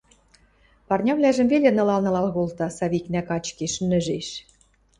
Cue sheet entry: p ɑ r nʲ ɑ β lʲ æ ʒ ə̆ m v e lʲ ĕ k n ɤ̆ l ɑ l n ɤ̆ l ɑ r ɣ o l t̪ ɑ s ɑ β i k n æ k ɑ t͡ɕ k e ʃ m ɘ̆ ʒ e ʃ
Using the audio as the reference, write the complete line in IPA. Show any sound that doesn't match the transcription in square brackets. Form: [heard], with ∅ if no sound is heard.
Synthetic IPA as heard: p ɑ r nʲ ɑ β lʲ æ ʒ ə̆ m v e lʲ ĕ [∅] n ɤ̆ l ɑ l n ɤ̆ l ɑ [l] ɣ o l t̪ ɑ s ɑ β i k n æ k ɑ t͡ɕ k e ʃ [n] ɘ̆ ʒ e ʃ